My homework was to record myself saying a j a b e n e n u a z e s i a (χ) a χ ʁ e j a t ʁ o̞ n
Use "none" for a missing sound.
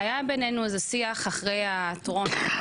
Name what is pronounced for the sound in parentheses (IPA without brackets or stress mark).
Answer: χ